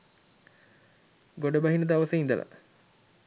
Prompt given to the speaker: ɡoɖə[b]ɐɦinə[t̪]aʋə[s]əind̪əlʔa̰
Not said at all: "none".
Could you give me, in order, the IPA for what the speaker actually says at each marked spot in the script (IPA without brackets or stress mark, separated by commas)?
b, d̪, s